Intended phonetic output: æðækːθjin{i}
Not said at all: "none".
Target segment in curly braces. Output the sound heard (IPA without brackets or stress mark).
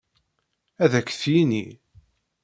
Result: i